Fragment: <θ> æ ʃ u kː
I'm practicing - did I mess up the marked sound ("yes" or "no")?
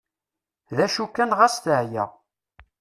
yes